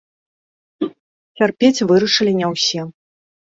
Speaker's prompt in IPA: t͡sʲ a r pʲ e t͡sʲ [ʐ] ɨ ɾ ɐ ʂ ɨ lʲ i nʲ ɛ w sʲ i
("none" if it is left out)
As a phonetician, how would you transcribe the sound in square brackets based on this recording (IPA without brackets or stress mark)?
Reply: v